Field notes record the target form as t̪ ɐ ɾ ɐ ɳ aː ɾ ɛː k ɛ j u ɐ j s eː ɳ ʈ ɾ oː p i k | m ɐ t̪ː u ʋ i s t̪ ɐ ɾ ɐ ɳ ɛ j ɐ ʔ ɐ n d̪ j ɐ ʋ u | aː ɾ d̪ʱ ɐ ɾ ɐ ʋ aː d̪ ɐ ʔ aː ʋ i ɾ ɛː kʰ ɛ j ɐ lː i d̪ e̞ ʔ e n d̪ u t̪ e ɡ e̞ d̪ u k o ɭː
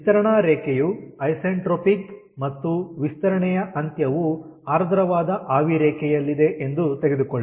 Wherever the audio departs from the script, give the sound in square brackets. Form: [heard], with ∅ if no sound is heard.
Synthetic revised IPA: t̪ ɐ ɾ ɐ ɳ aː ɾ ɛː k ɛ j u ɐ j s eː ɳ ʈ ɾ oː p i k | m ɐ t̪ː u ʋ i s t̪ ɐ ɾ ɐ ɳ ɛ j ɐ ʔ ɐ n [t̪] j ɐ ʋ u | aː ɾ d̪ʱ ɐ ɾ ɐ ʋ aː d̪ ɐ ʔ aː ʋ i ɾ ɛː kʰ ɛ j ɐ lː i d̪ e̞ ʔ e n d̪ u t̪ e ɡ e̞ d̪ u k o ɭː